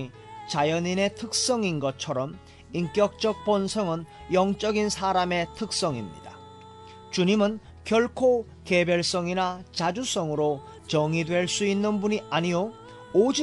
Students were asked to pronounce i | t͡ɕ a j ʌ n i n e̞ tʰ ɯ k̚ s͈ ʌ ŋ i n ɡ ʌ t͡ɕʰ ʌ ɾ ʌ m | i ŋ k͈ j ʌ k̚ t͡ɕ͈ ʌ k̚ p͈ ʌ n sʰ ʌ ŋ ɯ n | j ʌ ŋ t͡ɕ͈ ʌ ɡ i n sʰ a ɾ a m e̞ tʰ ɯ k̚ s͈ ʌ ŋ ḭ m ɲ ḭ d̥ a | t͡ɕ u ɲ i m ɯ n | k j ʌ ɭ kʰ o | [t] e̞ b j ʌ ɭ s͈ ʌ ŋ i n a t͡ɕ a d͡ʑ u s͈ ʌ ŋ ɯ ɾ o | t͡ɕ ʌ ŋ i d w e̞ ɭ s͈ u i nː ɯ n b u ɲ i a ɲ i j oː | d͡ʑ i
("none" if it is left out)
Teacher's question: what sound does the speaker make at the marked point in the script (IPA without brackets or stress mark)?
k